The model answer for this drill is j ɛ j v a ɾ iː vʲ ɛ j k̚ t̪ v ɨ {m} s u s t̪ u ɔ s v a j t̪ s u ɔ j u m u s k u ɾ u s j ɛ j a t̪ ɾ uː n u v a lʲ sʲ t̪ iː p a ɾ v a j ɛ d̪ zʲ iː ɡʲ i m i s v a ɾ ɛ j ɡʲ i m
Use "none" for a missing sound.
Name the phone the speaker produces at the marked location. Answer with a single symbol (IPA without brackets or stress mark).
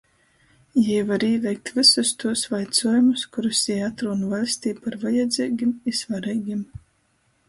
none